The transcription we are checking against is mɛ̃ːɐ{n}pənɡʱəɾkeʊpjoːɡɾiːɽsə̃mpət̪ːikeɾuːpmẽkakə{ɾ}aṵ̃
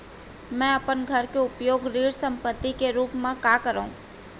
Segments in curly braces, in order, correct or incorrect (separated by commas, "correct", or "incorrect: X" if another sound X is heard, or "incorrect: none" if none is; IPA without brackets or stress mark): incorrect: none, correct